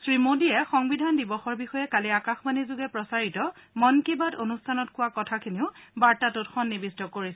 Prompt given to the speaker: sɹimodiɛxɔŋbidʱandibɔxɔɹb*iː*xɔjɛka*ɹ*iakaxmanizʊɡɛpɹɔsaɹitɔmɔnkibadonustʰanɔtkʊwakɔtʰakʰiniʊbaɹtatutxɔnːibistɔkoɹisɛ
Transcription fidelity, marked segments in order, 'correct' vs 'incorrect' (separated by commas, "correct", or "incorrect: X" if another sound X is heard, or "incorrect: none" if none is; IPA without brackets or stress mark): incorrect: i, incorrect: l